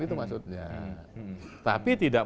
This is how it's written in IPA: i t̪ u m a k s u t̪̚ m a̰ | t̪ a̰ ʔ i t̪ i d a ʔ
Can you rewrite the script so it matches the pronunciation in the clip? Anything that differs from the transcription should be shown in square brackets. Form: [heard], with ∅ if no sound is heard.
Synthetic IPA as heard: i t̪ u m a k s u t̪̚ [ɲ] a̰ | t̪ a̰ [p] i t̪ i d a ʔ